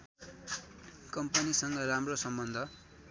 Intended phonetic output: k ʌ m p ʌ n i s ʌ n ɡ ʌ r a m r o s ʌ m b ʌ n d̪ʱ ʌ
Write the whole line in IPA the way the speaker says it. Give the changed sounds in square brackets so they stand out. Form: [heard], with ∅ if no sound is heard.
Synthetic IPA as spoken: k ʌ m p ʌ n i s ʌ [ŋ] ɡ ʌ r a m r o s ʌ m b ʌ n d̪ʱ ʌ